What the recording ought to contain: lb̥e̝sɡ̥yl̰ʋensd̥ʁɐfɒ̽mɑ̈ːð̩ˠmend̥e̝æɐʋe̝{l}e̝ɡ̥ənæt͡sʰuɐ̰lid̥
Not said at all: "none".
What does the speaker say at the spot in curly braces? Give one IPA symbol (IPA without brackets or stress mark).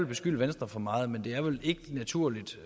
l